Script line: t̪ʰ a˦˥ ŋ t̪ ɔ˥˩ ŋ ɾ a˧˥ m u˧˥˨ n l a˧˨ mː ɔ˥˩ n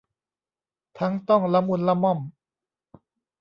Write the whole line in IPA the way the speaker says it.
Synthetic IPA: t̪ʰ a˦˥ ŋ t̪ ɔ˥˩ ŋ l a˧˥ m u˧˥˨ n l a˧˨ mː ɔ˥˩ m